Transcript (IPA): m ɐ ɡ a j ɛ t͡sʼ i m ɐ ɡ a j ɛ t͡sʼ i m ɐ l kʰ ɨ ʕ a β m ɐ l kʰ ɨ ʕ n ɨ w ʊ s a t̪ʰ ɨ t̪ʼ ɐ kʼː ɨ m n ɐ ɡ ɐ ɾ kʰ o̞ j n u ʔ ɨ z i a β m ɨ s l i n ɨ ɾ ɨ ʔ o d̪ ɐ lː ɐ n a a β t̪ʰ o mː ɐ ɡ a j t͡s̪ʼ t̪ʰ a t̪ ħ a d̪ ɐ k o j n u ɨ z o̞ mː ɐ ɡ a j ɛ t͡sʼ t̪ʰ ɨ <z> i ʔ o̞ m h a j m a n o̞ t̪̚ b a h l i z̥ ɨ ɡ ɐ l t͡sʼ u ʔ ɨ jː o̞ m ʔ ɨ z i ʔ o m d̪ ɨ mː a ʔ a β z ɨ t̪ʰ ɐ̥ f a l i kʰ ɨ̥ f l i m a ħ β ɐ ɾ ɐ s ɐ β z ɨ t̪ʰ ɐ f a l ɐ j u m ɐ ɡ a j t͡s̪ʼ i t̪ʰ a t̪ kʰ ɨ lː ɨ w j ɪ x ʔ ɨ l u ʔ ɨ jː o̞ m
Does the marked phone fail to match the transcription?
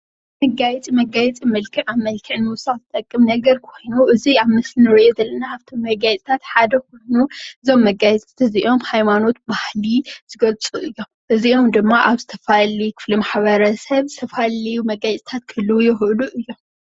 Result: no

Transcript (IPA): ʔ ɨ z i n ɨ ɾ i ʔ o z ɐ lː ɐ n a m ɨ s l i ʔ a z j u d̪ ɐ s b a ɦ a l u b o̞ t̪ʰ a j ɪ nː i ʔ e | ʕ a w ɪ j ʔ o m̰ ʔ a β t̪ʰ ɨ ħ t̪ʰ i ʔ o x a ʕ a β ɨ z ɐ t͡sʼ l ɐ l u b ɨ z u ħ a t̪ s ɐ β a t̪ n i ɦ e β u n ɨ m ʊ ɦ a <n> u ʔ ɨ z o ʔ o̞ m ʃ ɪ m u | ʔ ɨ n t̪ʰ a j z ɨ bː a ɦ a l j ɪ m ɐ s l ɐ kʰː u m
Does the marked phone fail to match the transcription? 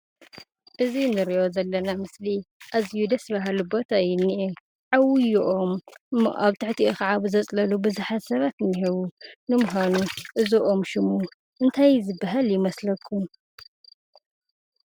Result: no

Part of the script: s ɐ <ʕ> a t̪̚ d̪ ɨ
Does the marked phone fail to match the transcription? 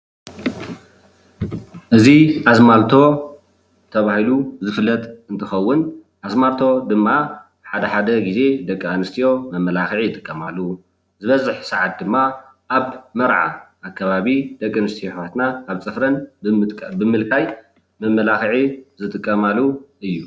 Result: no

